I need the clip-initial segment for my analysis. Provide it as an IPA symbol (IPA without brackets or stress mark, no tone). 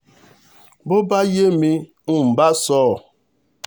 b